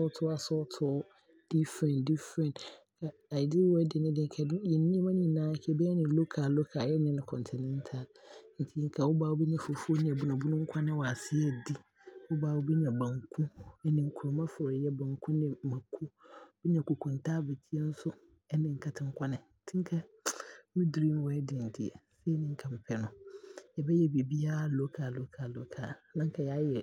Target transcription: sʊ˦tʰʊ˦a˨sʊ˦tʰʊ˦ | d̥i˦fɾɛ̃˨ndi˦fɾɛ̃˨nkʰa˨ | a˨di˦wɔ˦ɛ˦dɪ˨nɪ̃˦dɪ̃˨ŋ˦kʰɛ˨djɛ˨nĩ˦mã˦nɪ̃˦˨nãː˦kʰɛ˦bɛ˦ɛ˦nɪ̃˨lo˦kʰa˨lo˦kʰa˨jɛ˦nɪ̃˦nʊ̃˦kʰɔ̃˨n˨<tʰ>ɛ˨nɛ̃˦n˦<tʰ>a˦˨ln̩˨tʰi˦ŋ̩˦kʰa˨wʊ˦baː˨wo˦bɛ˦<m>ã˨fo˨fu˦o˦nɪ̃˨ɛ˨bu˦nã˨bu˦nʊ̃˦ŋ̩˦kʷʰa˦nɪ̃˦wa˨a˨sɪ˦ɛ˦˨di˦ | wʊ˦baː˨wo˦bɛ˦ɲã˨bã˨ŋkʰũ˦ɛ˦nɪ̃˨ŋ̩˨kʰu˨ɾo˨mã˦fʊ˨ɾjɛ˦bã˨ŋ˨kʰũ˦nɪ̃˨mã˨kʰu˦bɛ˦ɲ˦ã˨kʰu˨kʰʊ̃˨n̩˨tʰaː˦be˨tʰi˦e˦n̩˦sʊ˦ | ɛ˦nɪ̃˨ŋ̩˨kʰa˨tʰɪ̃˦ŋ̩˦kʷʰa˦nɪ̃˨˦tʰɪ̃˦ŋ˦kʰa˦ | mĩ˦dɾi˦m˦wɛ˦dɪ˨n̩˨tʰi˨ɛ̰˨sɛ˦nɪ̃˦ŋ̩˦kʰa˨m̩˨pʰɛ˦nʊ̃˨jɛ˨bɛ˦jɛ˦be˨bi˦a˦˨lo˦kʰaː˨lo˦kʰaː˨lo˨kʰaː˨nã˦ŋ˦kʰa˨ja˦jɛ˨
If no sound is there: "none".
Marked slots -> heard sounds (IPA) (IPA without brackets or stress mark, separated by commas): tʰ, tʰ, ɲ